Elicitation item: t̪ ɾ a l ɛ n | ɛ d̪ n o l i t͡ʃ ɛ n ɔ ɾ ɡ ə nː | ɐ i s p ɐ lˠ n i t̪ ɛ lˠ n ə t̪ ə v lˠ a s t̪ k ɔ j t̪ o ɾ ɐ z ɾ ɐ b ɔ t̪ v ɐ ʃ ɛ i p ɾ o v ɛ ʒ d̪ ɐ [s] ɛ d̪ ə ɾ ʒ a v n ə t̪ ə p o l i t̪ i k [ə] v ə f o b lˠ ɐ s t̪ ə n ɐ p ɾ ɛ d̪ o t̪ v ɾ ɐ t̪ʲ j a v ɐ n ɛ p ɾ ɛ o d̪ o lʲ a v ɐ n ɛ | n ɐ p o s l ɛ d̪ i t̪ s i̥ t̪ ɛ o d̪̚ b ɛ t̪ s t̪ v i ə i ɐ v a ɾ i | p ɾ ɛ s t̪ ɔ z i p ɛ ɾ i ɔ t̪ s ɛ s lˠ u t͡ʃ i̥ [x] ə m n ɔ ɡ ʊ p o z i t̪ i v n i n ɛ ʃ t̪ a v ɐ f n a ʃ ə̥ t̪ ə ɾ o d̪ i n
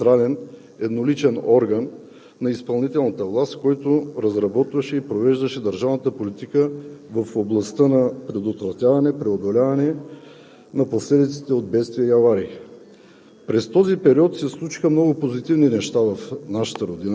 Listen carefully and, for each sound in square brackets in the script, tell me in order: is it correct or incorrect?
incorrect: ʃ, correct, correct

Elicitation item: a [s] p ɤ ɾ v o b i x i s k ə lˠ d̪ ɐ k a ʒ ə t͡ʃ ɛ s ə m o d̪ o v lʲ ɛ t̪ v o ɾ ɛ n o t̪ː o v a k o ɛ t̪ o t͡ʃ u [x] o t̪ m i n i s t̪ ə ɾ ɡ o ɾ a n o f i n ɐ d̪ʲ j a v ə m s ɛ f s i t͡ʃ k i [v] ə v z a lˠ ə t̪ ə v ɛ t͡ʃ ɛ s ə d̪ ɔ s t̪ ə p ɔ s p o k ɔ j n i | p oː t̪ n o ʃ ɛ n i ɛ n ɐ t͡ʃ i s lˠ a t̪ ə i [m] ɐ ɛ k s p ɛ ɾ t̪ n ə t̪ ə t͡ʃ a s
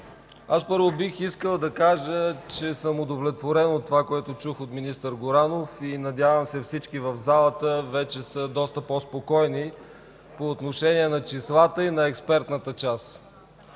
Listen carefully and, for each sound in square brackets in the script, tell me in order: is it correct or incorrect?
correct, correct, correct, incorrect: n

